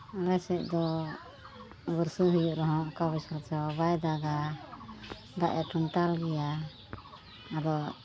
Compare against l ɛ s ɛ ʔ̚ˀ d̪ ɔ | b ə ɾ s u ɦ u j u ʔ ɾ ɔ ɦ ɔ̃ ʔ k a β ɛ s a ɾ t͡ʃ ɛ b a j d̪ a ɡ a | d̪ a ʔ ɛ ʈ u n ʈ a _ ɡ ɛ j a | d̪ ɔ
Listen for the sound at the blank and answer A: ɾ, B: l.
B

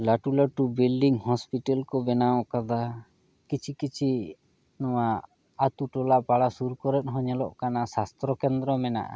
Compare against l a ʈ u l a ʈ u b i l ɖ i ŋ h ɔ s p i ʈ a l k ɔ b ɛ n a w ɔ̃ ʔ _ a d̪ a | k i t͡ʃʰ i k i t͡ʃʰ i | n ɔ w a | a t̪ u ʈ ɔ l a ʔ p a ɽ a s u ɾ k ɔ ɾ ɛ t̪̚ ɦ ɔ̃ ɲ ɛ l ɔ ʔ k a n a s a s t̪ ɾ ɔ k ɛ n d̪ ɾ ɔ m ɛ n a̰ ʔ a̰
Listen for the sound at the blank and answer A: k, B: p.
A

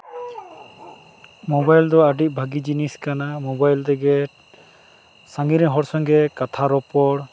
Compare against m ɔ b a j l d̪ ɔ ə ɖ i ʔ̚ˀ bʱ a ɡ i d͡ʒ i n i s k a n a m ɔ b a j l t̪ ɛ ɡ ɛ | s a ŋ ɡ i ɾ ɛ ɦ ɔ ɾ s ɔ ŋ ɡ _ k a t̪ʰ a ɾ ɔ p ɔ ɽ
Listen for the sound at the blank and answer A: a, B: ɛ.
B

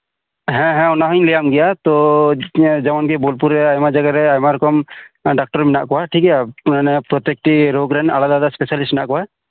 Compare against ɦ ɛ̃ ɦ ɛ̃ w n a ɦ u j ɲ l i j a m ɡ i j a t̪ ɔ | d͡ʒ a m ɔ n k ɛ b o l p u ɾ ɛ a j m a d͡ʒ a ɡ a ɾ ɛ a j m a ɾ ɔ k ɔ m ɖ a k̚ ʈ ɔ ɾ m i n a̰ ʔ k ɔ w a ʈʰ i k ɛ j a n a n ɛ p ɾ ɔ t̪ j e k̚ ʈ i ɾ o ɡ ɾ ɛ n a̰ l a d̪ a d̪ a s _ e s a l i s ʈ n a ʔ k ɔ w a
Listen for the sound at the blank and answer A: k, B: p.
B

